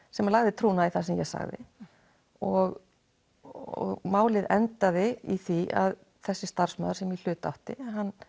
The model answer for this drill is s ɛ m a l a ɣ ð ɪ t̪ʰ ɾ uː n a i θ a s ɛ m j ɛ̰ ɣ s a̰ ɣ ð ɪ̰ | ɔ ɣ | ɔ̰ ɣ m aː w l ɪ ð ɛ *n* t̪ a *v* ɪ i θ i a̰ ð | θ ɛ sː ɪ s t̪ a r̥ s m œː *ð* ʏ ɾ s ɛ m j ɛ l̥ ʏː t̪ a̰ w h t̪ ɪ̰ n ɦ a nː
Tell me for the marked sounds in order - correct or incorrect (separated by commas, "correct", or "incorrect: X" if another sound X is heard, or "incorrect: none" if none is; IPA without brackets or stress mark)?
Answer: correct, incorrect: ð, correct